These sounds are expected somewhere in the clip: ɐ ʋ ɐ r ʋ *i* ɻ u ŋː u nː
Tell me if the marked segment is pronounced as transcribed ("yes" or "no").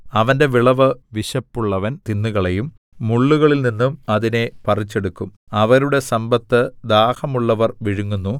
yes